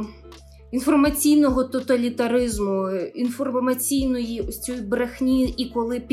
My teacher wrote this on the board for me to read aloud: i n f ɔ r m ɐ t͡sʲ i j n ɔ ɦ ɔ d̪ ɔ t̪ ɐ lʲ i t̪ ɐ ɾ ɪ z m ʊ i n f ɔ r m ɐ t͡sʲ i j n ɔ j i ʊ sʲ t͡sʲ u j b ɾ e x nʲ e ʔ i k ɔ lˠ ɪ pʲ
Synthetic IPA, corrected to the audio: i n f ɔ r m ɐ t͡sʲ i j n ɔ ɦ ɔ t̪ ɔ t̪ ɐ lʲ i t̪ ɐ ɾ ɪ z m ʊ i n f ɔ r m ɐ t͡sʲ i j n ɔ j i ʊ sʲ t͡sʲ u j b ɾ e x nʲ i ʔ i k ɔ lˠ ɪ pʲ